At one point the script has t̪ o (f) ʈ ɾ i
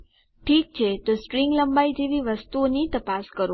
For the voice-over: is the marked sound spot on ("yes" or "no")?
no